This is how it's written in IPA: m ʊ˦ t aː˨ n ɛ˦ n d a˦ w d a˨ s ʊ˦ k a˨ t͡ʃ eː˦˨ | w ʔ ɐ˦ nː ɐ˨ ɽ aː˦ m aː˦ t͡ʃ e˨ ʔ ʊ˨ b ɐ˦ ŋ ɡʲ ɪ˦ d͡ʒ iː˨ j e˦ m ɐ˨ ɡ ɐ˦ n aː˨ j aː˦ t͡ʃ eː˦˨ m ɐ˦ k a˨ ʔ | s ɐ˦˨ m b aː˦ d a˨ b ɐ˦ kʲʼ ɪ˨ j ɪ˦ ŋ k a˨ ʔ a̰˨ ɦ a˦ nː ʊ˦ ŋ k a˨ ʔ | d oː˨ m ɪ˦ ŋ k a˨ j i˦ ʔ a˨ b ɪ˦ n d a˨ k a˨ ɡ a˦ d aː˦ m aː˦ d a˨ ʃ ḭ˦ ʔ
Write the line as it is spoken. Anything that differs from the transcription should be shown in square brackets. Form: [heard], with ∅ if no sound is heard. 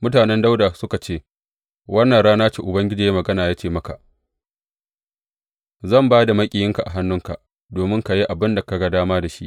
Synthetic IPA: m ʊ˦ t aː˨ n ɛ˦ n d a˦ w d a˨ s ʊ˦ k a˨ t͡ʃ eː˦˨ | w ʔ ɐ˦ nː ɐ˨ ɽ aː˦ [n] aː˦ t͡ʃ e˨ ʔ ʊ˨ b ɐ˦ ŋ ɡʲ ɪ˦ d͡ʒ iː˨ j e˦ m ɐ˨ ɡ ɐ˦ n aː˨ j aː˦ t͡ʃ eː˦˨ m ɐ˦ k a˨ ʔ | [z] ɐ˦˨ m b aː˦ d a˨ [m] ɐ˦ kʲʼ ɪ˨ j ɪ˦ ŋ k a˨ ʔ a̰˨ ɦ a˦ nː ʊ˦ ŋ k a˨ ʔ | d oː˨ m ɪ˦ ŋ k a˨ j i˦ ʔ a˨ b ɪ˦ n d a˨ k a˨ ɡ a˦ d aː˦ m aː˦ d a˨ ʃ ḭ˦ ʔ